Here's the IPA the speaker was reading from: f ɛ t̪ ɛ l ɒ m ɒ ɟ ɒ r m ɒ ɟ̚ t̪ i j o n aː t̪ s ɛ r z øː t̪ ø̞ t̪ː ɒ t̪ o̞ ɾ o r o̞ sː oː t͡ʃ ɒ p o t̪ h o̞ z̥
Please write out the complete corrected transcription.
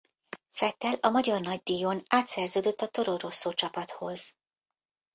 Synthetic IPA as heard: f ɛ t̪ ɛ l ɒ m ɒ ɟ ɒ r n ɒ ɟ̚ d̪ i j o n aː t̪ s ɛ r z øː d̪ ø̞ t̪ː ɒ t̪ o̞ ɾ o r o̞ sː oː t͡ʃ ɒ p ɒ t̪ h o̞ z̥